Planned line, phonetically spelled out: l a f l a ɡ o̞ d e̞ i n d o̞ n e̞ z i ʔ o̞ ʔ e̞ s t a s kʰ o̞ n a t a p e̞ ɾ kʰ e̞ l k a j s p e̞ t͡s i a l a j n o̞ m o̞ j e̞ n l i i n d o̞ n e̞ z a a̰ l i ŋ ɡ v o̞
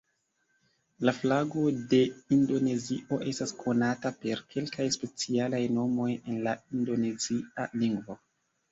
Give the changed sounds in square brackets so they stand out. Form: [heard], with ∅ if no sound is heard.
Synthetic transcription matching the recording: l a f l a ɡ o̞ d e̞ i n d o̞ n e̞ z i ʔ o̞ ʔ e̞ s t a s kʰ o̞ n a t a p e̞ ɾ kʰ e̞ l k a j s p e̞ t͡s i a l a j n o̞ m o̞ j e̞ n l [a] i n d o̞ n e̞ z [i] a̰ l i ŋ ɡ v o̞